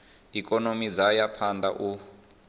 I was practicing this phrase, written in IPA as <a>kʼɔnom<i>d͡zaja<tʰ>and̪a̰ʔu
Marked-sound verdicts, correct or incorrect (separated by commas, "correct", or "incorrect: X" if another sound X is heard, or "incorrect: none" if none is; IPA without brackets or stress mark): incorrect: i, correct, incorrect: pʰ